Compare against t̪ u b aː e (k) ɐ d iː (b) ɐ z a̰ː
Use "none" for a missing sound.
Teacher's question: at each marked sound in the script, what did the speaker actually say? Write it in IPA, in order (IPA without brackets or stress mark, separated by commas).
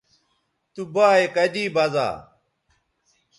k, b